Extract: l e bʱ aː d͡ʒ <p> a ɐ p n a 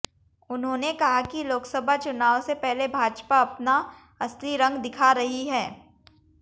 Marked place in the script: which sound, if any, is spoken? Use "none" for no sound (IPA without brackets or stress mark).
p